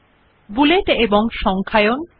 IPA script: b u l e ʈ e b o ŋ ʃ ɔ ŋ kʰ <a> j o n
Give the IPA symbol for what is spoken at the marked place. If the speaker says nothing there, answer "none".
a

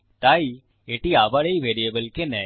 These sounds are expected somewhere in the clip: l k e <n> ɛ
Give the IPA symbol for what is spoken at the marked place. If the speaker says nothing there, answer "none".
n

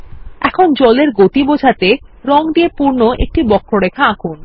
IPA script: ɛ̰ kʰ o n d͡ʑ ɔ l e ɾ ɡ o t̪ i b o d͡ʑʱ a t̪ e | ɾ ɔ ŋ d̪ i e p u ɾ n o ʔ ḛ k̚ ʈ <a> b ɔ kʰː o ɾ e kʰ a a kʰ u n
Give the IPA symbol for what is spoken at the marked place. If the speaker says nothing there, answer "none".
i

